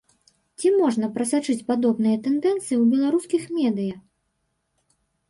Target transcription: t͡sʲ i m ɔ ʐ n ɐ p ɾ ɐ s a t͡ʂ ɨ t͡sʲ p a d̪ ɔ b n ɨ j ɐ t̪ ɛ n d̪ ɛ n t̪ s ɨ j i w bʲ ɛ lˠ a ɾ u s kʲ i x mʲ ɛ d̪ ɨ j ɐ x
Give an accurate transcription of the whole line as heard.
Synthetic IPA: t͡sʲ i m ɔ ʐ n ɐ p ɾ ɐ s a t͡ʂ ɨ t͡sʲ p a d̪ ɔ b n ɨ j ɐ t̪ ɛ n d̪ ɛ n t̪ s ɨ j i w bʲ ɛ lˠ a ɾ u s kʲ i x mʲ ɛ d̪ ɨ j ɐ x